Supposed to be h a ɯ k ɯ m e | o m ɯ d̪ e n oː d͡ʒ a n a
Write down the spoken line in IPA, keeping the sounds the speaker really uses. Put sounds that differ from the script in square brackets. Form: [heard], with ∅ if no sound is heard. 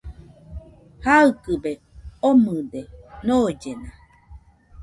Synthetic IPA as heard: h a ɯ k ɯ [b] e | o m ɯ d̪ e n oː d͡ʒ [e] n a